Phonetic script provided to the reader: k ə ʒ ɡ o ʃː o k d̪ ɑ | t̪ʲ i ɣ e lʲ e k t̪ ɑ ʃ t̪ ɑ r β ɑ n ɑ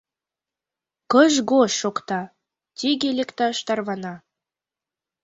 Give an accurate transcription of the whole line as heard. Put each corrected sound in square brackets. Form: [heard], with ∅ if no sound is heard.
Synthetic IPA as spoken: k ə ʒ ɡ o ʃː o k [t̪] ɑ | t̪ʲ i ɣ e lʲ e k t̪ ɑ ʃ t̪ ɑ r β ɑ n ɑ